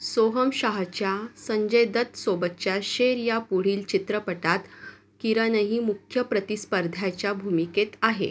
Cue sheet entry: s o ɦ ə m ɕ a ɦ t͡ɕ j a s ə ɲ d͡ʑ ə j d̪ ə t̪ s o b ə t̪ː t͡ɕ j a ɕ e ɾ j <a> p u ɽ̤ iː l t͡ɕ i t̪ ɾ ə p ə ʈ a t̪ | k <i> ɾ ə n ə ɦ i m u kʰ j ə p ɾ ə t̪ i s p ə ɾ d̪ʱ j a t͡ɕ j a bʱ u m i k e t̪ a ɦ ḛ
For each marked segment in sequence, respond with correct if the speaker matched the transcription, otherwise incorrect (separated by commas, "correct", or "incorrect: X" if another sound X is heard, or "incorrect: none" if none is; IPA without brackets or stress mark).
correct, correct